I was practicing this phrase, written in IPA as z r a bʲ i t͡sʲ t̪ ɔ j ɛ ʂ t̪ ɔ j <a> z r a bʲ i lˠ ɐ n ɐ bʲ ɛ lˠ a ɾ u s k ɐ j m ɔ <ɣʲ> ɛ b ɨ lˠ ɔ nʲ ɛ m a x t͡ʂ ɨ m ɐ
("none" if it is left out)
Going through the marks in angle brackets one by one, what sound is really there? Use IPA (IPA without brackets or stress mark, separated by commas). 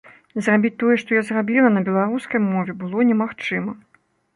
a, vʲ